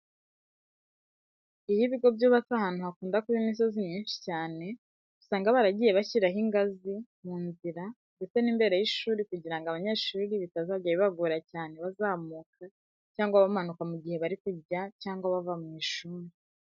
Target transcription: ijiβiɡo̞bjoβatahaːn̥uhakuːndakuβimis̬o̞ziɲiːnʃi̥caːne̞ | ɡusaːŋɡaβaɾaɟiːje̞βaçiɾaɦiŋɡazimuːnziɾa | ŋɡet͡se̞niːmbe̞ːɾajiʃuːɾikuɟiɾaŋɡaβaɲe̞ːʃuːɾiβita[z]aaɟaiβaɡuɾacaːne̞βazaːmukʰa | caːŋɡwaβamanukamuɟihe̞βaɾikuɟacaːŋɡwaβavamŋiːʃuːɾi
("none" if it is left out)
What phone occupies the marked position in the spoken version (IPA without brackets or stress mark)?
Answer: z